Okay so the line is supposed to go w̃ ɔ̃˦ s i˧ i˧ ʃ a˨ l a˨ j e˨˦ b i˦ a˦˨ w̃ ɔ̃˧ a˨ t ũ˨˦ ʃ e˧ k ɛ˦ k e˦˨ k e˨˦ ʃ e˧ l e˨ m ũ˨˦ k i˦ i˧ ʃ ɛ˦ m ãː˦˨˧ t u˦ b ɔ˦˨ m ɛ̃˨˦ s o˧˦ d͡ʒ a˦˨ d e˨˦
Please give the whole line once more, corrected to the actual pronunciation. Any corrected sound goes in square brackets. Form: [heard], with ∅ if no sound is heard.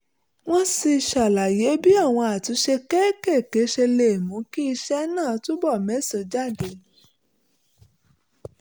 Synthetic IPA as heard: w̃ ɔ̃˦ s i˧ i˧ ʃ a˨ l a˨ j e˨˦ b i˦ a˦˨ w̃ ɔ̃˧ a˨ t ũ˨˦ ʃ e˧ k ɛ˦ k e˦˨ k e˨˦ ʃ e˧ l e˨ m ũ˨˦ k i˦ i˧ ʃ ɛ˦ [n] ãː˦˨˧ t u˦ b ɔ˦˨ m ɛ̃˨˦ s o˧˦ d͡ʒ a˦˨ d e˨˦